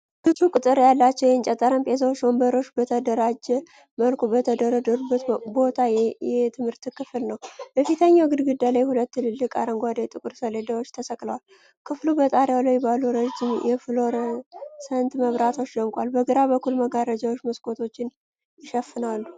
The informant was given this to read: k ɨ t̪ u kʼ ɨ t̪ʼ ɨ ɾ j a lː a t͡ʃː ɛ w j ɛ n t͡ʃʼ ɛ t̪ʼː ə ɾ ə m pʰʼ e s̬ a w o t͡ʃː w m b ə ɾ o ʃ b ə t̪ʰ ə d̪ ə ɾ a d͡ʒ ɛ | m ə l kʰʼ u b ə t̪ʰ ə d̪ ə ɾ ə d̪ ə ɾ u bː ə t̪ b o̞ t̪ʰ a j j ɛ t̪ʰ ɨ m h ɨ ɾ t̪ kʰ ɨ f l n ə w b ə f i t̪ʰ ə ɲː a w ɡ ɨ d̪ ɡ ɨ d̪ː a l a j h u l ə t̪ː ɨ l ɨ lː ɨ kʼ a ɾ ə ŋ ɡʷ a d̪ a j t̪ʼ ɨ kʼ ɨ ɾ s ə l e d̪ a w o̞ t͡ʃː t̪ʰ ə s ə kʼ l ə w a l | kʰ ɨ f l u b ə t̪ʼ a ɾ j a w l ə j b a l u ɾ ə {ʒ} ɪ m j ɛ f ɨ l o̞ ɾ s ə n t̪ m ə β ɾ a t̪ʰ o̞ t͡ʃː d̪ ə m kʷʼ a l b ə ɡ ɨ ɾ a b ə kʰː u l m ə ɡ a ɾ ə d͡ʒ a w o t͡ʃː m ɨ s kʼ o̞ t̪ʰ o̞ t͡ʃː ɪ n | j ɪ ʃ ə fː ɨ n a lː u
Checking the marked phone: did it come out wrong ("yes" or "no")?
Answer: yes